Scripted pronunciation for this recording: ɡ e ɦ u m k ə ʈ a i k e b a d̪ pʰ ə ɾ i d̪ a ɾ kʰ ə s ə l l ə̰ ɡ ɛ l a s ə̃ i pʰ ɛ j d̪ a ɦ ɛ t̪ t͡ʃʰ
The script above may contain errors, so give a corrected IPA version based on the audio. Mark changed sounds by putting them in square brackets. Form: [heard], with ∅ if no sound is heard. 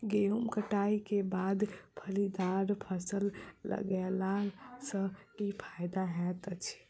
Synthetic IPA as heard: ɡ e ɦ u m k ə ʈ a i k e b a d̪ pʰ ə [l] i d̪ a ɾ [pʰ] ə s ə l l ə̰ ɡ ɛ l a s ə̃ i pʰ [a] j d̪ a ɦ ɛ t̪ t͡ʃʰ